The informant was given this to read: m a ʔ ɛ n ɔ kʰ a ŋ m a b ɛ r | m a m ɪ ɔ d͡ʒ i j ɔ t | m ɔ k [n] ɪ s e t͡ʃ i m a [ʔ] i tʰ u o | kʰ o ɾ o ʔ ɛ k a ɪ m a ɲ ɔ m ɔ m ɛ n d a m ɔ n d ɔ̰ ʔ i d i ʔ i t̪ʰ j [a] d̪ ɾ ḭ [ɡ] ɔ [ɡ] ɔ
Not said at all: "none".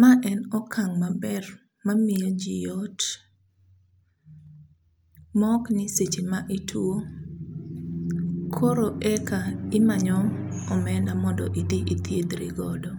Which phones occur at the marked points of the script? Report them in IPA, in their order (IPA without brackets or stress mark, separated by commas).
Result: n, ʔ, e, ɡ, d